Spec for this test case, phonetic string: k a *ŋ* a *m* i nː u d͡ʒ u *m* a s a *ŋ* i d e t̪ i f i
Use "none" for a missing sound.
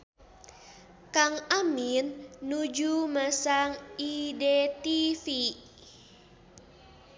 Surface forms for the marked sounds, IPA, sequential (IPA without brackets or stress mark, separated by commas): ŋ, m, m, ŋ